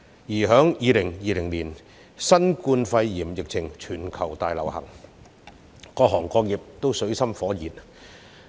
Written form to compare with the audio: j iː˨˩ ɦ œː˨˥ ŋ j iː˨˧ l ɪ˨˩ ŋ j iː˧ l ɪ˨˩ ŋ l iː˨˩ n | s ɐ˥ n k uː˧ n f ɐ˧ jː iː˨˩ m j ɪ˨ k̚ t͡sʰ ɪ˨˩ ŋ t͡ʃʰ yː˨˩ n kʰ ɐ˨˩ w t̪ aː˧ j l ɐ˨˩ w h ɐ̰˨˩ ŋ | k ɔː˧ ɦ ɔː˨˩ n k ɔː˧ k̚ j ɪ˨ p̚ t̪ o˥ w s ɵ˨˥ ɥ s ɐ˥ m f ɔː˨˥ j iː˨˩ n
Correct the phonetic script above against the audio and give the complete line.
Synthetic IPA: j iː˨˩ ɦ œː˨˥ ŋ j iː˨˧ l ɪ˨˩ ŋ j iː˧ l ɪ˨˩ ŋ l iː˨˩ n | s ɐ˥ n k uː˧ n f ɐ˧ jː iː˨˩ m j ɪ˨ k̚ t͡sʰ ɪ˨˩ ŋ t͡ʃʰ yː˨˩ n kʰ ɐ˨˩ w t̪ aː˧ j l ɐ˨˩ w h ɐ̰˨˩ ŋ | k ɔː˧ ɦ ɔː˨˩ ŋ k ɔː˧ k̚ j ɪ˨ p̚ t̪ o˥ w s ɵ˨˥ ɥ s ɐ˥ m f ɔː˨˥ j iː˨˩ n

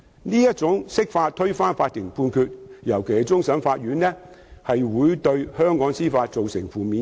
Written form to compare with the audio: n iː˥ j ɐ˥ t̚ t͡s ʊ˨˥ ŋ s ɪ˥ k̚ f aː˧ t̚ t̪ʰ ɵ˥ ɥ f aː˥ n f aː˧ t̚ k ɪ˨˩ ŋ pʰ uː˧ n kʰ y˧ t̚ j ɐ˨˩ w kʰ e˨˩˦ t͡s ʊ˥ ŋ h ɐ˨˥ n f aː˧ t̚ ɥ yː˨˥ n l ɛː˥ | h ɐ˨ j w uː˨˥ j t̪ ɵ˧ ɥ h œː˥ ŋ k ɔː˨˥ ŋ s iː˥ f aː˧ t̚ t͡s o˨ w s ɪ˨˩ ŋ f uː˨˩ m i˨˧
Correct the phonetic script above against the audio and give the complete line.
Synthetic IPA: n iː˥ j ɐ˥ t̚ t͡s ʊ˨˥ ŋ s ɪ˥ k̚ f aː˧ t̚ t̪ʰ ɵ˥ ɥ f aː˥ n f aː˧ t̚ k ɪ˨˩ ŋ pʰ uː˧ n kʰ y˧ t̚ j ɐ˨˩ w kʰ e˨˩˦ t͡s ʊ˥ ŋ s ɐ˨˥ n f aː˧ t̚ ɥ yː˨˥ n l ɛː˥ | h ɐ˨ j w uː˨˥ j t̪ ɵ˧ ɥ h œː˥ ŋ k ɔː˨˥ ŋ s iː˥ f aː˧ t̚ t͡s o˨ w s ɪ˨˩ ŋ f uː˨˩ m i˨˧

